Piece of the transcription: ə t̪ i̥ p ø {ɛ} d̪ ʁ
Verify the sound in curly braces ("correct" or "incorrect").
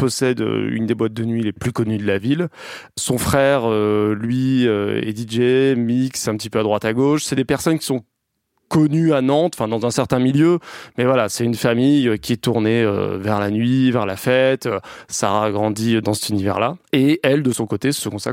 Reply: incorrect